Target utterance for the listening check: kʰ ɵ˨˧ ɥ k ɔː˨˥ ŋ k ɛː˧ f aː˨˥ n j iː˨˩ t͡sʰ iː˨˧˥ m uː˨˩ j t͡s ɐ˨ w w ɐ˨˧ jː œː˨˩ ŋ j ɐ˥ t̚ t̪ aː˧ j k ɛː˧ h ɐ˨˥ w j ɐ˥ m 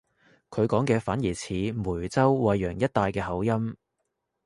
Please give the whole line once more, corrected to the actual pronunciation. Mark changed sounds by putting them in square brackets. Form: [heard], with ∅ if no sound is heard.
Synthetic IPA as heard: kʰ ɵ˨˧ ɥ k ɔː˨˥ ŋ k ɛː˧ f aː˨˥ n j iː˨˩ t͡sʰ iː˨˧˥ m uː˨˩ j t͡s [ɐ˥] w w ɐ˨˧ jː œː˨˩ ŋ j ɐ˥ t̚ t̪ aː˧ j k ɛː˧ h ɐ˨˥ w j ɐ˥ m